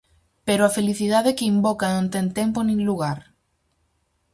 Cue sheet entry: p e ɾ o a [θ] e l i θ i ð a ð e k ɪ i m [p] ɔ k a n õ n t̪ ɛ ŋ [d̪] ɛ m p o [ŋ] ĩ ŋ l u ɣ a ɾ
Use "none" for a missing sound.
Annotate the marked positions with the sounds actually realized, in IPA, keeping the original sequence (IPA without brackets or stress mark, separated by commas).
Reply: f, b, t̪, n